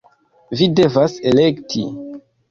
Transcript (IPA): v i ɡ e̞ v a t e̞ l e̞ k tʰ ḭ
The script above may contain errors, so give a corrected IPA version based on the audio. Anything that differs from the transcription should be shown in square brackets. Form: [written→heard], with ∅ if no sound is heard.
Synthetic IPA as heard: v i [ɡ→d] e̞ v a [t→s] e̞ l e̞ k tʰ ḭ